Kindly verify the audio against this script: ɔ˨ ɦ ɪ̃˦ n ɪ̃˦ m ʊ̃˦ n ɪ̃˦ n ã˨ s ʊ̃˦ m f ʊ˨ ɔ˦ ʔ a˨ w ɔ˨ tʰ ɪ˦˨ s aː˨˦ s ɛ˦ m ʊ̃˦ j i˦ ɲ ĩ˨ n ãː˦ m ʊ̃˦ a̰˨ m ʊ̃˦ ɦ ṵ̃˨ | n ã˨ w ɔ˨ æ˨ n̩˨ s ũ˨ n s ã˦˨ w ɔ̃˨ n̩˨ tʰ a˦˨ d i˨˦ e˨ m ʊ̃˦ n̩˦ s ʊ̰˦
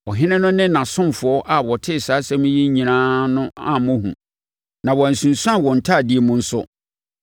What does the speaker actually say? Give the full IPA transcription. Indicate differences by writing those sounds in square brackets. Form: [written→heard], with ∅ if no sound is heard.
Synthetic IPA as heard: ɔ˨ ɦ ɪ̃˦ n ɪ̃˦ [m→n] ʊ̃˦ n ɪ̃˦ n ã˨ s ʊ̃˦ m f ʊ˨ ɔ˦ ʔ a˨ w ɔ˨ tʰ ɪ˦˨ s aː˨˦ s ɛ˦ m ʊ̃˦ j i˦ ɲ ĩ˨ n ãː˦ [m→n] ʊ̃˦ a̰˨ m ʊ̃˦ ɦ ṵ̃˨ | n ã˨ w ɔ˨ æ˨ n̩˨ s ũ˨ n s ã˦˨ w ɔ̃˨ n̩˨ tʰ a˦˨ d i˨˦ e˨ m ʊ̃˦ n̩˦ s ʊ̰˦

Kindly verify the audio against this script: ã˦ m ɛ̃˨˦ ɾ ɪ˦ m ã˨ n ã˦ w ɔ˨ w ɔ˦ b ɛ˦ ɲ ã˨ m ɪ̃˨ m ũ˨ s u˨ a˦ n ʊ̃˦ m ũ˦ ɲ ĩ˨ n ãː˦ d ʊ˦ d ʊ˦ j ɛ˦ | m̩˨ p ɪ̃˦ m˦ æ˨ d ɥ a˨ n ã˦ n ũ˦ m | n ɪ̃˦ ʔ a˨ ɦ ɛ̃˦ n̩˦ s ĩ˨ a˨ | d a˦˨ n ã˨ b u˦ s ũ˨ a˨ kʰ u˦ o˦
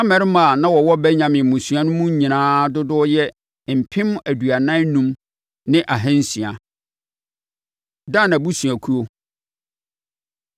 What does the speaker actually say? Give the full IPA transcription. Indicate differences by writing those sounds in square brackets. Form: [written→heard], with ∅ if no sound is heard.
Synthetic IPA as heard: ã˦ m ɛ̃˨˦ ɾ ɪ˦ m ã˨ n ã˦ w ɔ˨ w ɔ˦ b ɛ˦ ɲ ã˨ m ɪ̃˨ m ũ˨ s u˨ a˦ n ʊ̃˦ m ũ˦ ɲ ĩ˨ n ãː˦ d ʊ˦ d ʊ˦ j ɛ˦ | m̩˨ [p→pʰ] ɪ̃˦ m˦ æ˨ d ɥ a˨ n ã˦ n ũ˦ m | n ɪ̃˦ ʔ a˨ ɦ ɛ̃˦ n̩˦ s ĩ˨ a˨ | d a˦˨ n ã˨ b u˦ s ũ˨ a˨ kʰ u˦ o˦

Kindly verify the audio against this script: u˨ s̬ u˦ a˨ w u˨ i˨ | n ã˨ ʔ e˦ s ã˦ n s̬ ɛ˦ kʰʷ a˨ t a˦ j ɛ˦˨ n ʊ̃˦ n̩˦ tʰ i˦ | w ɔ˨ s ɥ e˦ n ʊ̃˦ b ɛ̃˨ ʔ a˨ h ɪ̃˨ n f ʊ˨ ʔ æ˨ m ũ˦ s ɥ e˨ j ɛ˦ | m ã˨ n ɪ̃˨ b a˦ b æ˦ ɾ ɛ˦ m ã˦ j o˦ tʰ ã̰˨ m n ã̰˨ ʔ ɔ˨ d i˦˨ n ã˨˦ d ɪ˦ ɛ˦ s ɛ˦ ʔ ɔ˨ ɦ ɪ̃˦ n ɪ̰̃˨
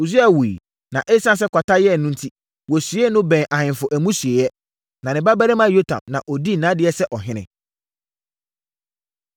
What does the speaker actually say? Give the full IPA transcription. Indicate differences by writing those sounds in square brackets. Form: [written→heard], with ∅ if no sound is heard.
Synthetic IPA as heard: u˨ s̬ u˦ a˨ w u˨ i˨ | n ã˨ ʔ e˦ s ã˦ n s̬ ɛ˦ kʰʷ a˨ t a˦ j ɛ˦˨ n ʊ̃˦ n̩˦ tʰ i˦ | w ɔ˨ s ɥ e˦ n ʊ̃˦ b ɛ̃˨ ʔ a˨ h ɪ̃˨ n f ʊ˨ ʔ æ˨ m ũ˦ s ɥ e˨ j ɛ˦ | [m→n] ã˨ n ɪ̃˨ b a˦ b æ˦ ɾ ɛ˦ m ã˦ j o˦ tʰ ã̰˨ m n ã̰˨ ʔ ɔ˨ d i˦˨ n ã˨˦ d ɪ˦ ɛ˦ s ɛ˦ ʔ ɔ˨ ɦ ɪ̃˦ n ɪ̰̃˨

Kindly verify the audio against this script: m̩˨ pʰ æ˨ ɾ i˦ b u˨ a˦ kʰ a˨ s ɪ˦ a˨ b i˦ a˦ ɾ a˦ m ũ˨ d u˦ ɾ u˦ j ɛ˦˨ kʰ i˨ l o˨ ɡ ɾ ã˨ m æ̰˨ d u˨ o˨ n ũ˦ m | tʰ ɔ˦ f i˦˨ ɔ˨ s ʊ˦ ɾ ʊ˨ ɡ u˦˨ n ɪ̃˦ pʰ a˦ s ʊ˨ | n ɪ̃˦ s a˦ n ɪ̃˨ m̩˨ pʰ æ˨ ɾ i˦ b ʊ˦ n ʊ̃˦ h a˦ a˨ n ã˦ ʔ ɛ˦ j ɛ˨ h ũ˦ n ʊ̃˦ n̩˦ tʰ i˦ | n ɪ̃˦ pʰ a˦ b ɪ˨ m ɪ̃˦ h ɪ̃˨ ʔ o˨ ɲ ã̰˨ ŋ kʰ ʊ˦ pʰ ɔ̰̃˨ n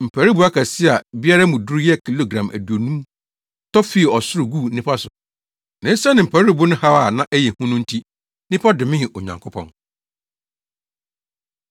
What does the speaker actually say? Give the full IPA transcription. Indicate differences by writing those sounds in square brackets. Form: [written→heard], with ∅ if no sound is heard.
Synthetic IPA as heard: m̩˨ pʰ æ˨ ɾ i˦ b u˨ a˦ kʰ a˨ s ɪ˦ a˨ b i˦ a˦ ɾ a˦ m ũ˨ d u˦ ɾ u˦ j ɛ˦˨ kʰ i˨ l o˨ ɡ ɾ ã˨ m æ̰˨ d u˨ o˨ n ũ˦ m | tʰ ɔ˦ f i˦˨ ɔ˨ s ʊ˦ ɾ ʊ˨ ɡ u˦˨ n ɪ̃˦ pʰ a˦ s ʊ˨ | n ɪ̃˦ s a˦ n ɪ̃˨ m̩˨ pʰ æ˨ ɾ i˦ b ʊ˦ n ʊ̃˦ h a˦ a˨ n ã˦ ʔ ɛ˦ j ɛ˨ h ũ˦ n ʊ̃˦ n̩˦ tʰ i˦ | n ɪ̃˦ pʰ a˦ [b→d] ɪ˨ m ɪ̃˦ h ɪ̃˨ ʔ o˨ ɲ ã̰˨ ŋ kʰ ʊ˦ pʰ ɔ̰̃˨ n

